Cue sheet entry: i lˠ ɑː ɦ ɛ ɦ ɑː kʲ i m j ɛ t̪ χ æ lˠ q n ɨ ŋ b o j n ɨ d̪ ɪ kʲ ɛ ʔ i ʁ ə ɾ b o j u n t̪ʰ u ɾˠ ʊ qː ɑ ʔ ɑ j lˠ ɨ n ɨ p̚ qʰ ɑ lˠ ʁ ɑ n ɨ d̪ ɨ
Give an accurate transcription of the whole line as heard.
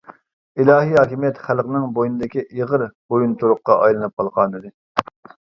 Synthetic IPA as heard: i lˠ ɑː ɦ i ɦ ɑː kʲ i m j ɛ t̪ χ æ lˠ q n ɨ ŋ b o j n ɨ d̪ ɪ kʲ i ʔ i ʁ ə ɾ b o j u n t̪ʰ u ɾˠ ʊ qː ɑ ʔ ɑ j lˠ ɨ n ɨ p̚ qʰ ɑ lˠ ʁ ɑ n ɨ d̪ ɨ